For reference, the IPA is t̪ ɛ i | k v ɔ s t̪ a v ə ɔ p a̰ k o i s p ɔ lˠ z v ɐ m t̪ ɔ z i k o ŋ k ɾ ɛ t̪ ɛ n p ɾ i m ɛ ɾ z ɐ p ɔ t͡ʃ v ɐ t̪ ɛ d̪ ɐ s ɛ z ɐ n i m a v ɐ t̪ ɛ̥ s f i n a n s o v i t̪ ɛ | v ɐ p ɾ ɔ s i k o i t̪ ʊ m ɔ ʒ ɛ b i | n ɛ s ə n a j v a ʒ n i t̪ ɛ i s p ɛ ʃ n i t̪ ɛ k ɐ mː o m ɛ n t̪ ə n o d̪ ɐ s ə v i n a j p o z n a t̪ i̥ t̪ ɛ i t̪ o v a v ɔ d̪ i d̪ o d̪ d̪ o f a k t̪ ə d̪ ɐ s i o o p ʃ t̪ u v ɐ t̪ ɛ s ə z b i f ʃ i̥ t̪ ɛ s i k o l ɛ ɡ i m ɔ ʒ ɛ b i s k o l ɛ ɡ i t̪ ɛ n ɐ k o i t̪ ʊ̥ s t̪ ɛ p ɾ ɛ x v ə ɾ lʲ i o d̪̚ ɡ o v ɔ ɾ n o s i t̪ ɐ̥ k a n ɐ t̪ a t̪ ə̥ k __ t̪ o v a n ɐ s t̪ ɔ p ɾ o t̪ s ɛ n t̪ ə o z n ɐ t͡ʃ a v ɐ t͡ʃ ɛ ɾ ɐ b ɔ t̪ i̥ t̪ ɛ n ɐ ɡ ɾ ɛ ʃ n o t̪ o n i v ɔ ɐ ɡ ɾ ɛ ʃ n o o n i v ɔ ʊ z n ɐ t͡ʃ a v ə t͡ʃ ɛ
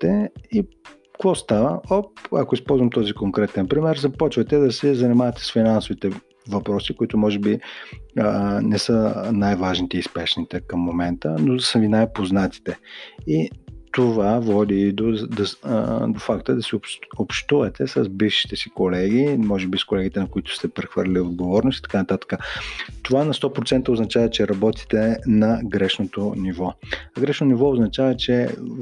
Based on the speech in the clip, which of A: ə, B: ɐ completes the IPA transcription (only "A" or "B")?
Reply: A